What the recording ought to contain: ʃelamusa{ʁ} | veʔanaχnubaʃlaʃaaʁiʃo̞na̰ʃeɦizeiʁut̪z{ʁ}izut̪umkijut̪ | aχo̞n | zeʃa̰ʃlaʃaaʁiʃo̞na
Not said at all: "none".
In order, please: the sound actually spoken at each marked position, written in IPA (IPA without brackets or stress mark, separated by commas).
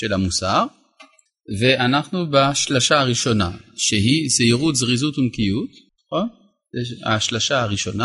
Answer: ʁ, ʁ